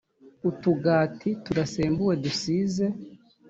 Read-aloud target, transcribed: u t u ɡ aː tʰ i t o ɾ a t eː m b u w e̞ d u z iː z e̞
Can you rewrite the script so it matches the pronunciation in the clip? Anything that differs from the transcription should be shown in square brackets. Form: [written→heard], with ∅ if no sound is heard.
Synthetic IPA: u t u ɡ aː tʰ i t [o→u] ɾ a [t→s] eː m b u w e̞ d u [z→s] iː z e̞